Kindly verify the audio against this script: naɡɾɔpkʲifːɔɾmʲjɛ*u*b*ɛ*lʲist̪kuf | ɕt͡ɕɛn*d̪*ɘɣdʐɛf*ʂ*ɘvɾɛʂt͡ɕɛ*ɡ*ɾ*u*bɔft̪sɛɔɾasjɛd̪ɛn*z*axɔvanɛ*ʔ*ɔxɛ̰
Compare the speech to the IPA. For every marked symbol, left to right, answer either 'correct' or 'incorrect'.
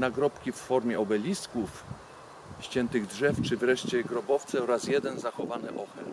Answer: incorrect: ɔ, correct, incorrect: t̪, incorrect: t͡ʂ, correct, incorrect: ɔ, correct, correct

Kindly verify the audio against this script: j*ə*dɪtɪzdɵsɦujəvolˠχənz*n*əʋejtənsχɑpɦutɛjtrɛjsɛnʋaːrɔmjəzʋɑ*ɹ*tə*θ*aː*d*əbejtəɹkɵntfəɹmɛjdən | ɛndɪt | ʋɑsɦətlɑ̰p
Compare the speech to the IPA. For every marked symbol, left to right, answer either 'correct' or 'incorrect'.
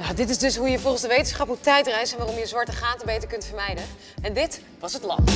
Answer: incorrect: a, incorrect: d, correct, incorrect: χ, incorrect: t

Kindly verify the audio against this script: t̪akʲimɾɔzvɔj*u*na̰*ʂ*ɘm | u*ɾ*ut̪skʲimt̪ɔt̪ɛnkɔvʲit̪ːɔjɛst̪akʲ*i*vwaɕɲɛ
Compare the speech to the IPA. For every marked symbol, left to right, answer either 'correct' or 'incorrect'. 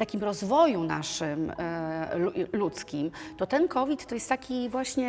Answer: correct, correct, incorrect: l, correct

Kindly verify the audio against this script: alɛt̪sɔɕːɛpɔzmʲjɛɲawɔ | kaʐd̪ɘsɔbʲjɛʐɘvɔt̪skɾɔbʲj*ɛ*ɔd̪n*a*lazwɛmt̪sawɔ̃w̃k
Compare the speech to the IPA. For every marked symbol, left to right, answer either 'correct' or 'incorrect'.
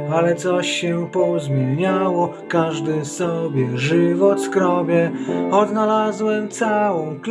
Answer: correct, correct

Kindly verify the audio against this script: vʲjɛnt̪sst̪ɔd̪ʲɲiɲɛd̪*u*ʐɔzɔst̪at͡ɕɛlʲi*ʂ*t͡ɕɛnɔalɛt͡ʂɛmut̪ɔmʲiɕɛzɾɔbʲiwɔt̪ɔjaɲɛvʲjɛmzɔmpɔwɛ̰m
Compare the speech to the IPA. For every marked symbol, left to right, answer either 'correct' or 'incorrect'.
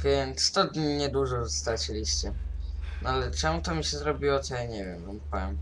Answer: correct, incorrect: ɕ

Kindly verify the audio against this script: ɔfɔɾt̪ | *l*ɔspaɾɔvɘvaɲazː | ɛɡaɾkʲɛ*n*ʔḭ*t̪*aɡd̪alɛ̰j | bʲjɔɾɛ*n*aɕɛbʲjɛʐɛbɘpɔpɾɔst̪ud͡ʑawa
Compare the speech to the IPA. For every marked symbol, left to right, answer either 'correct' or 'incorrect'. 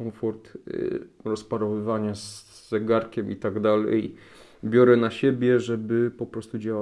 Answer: incorrect: ɾ, incorrect: m, correct, correct

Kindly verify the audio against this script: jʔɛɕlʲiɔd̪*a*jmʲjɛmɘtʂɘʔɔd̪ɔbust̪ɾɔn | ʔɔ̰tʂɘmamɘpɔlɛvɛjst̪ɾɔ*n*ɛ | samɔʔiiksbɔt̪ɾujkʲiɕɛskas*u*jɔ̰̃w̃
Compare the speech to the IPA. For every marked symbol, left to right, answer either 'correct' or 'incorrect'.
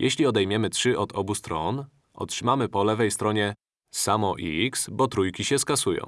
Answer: incorrect: ɛ, incorrect: ɲ, correct

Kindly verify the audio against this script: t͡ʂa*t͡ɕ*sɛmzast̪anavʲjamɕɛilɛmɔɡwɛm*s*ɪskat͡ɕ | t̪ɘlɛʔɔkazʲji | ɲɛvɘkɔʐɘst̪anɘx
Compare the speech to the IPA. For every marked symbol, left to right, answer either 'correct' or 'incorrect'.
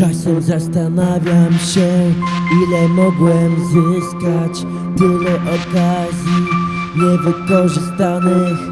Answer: incorrect: none, incorrect: z

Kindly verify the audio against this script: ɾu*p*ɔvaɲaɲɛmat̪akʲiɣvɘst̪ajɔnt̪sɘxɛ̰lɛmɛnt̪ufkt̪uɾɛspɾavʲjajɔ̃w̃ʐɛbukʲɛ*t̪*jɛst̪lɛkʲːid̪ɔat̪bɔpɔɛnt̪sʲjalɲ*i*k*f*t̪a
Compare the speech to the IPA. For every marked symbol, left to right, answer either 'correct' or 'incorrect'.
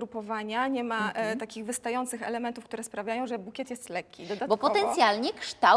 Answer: correct, correct, incorrect: ɛ, incorrect: ʂ

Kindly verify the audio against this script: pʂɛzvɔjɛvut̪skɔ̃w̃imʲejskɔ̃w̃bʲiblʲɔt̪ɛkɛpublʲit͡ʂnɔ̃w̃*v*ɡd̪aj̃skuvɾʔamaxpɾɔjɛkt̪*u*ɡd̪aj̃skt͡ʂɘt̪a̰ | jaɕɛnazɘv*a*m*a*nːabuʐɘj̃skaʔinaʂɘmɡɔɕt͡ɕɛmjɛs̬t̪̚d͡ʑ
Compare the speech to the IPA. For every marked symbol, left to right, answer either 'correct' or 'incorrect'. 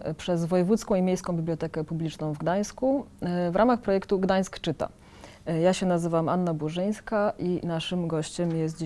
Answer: correct, correct, correct, correct

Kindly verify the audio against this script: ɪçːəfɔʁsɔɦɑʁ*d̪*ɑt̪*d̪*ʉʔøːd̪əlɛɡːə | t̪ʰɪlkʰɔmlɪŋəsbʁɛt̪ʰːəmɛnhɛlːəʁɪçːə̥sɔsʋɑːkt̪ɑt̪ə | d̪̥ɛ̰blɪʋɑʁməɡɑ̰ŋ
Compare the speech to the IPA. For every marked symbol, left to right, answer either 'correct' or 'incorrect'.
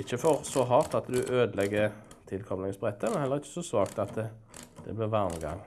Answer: incorrect: t̪, correct

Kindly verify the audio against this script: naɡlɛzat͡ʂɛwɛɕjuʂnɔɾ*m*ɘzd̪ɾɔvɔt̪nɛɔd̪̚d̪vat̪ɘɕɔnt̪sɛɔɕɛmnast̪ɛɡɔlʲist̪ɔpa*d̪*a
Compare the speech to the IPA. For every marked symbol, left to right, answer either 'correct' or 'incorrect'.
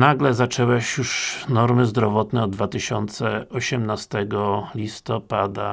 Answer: correct, correct

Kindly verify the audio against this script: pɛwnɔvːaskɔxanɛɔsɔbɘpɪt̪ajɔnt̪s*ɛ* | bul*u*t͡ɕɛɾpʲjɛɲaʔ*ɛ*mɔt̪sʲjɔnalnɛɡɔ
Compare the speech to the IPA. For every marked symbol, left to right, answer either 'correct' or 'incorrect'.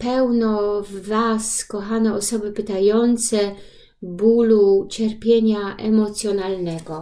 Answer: correct, correct, correct

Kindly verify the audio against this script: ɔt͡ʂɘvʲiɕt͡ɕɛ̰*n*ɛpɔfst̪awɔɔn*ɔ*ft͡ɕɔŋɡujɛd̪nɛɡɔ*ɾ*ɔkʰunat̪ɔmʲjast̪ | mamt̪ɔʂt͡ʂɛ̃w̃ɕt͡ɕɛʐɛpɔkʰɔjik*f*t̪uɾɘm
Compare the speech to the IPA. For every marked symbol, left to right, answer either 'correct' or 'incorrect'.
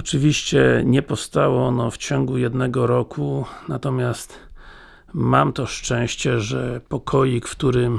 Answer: incorrect: ɲ, correct, correct, correct

